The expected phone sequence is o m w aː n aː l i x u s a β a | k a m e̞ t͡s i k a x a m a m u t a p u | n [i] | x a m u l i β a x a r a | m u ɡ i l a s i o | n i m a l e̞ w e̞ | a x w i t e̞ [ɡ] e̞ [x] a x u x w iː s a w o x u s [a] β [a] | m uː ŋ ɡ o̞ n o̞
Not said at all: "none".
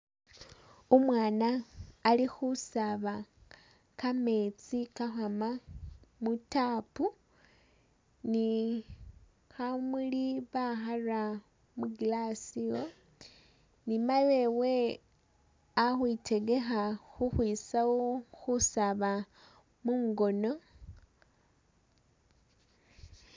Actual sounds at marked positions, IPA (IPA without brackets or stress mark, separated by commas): i, ɡ, x, a, a